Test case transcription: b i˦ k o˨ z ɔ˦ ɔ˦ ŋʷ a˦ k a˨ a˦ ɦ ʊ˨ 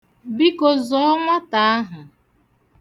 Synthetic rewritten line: b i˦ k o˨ z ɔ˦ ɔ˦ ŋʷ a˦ t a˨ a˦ ɦ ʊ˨